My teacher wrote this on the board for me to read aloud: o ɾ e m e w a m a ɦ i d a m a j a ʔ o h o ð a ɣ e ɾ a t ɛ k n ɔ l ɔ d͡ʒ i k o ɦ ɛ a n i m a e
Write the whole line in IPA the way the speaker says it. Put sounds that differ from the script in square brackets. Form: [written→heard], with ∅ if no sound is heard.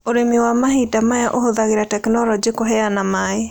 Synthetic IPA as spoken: o ɾ e m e w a m a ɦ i d a m a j a ʔ o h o ð a ɣ e ɾ a t ɛ k n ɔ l ɔ d͡ʒ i k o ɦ ɛ a n [i→a] m a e